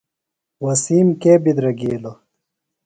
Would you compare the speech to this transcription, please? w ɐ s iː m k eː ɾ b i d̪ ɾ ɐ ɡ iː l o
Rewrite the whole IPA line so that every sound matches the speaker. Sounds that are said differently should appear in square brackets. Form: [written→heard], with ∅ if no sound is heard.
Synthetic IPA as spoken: w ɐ s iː m k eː [ɾ→∅] b i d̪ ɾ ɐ ɡ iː l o